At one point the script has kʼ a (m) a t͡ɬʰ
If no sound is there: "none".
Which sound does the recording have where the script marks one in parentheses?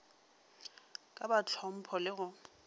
b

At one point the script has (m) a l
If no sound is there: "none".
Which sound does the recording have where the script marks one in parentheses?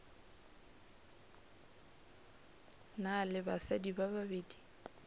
n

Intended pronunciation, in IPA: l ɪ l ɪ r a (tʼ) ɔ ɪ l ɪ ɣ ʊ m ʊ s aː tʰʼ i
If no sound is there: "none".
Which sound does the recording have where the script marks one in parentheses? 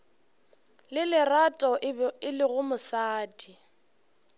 tʼ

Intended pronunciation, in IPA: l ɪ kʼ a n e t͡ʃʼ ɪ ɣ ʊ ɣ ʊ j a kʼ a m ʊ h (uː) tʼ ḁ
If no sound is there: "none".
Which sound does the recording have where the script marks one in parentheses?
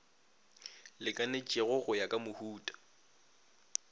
uː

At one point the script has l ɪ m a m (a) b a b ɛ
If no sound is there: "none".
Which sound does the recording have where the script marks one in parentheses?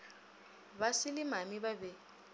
i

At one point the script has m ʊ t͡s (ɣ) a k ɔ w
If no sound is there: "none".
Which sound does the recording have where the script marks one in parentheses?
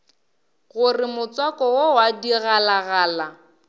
w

